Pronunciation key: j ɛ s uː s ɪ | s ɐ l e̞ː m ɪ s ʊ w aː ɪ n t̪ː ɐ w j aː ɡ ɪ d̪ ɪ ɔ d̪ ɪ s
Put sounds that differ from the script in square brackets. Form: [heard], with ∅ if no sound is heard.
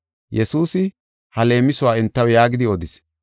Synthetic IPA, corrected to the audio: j ɛ s uː s ɪ | [h] ɐ l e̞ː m ɪ s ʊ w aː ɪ n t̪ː ɐ w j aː ɡ ɪ d̪ ɪ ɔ d̪ ɪ s